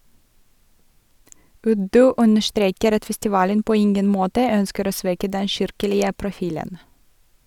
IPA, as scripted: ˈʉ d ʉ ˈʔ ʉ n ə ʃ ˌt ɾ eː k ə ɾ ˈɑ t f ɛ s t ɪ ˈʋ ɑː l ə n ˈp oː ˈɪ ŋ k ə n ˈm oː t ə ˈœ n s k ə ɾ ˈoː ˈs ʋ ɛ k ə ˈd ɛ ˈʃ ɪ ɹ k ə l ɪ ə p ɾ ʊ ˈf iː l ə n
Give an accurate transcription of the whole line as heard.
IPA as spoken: ˈʉ d ʉ ˈʔ ʉ n ə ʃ ˌt ɾ eː k ə ɾ ˈɑ t f ɛ s t ɪ ˈʋ ɑː l ə n ˈp oː ˈɪ ŋ ɡ ə n ˈm oː t ə ˈœ n s k ə ɾ ˈoː ˈs ʋ ɛ k ə ˈd ɛ ˈʃ ɪ ɾ k ə l ɪ ə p ɾ ʊ ˈf iː l ə n